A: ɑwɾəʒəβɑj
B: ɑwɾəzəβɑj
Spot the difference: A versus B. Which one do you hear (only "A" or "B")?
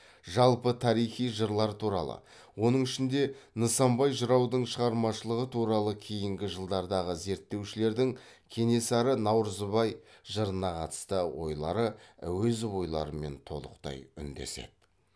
B